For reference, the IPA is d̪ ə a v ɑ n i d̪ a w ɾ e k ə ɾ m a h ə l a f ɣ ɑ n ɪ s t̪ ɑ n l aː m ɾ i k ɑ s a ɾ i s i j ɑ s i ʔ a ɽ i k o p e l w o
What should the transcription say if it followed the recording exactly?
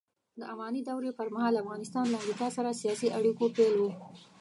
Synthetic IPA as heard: d̪ ə a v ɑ n i d̪ a w ɾ e p ə ɾ m a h ɑ l a f ɣ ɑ n ɪ s t̪ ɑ n l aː m ɾ i k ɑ s a ɾ a s i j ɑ s i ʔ a ɽ i k o p e l w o